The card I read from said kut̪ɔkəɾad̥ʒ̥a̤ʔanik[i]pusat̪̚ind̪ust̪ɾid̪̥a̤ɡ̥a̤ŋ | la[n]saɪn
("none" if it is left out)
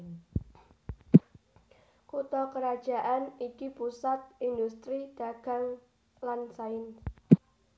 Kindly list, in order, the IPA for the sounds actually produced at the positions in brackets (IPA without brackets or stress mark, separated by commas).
i, n